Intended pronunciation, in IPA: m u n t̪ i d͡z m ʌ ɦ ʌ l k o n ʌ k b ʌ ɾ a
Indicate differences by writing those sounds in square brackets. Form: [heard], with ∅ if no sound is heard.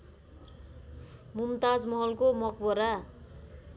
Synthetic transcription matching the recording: m u [m] t̪ [a] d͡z m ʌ ɦ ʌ l k o [m] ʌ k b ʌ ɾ a